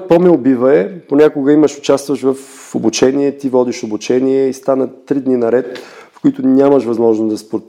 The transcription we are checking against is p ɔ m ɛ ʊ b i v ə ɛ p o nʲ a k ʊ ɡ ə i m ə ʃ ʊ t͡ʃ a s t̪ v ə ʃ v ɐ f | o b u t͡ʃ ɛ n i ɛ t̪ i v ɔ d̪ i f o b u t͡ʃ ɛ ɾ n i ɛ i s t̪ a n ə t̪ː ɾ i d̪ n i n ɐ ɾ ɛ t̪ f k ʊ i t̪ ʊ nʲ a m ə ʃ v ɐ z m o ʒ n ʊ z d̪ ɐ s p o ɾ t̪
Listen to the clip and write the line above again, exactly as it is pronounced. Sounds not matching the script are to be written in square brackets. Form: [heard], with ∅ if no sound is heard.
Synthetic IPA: p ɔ m ɛ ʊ b i v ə ɛ p o nʲ a k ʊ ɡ ə i m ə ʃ ʊ t͡ʃ a s t̪ v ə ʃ v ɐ f | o b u t͡ʃ ɛ n i ɛ t̪ i v ɔ d̪ i [ʃ] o b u t͡ʃ ɛ [∅] n i ɛ i s t̪ a n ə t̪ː ɾ i d̪ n i n ɐ ɾ ɛ t̪ f k ʊ i t̪ ʊ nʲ a m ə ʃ v ɐ z m [ɔ] ʒ n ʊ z d̪ ɐ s p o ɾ t̪